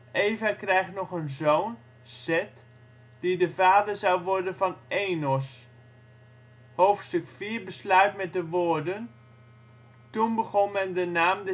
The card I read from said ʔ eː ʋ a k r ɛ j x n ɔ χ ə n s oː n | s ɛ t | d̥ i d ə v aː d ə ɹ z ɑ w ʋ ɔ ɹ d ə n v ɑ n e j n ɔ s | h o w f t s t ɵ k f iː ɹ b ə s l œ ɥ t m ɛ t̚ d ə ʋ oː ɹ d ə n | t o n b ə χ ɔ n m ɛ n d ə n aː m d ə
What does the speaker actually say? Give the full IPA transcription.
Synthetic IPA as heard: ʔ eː v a k r ɛ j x n ɔ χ ə n z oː n | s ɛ t | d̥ i d ə v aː d ə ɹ z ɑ w ʋ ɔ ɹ d ə n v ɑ n e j n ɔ s | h o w f t s t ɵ k f iː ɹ b ə s l œ ɥ t m ɛ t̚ d ə ʋ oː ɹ d ə n | t u n b ə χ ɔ n m ɛ n d ə n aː m d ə